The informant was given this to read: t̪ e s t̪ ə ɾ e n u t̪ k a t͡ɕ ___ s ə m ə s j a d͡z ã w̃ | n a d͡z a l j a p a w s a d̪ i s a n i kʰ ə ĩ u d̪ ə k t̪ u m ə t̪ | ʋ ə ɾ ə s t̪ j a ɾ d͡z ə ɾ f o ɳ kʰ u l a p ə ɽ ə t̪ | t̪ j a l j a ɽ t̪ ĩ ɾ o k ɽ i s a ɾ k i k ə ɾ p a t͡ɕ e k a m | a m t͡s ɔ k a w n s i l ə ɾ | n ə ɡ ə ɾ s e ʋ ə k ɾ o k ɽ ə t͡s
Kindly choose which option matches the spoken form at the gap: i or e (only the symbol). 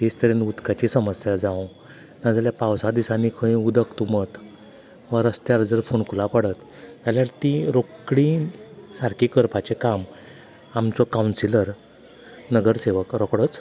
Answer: i